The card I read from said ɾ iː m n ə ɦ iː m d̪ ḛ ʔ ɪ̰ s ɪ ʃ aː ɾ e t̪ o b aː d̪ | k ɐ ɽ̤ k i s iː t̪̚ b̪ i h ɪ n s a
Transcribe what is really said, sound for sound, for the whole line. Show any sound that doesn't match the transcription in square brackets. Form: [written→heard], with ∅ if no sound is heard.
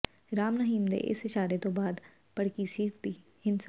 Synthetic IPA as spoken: ɾ [iː→aː] m n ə ɦ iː m d̪ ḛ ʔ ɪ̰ s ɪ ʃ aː ɾ e t̪ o b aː d̪ | [k→p] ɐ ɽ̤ k i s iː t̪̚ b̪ i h ɪ n s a